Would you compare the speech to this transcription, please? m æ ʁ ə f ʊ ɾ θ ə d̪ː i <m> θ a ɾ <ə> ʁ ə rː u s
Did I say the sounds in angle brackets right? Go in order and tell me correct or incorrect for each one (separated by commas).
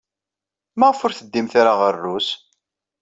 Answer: correct, incorrect